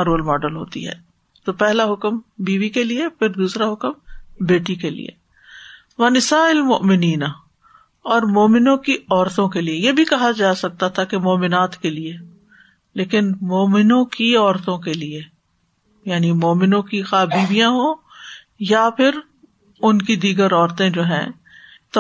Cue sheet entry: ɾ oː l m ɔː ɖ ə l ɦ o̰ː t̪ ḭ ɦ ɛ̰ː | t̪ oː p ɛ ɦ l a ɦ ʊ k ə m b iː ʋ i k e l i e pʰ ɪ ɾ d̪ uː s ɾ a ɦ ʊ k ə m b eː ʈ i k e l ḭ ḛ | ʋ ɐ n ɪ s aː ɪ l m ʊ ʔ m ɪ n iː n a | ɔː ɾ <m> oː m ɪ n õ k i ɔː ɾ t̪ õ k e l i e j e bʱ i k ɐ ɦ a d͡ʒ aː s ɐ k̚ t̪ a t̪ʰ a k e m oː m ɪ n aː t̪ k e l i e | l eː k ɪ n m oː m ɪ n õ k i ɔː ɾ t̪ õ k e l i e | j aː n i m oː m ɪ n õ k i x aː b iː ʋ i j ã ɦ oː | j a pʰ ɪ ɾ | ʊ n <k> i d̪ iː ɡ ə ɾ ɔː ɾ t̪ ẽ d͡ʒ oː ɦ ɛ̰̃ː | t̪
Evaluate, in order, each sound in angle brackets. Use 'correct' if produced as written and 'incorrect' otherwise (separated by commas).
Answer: correct, correct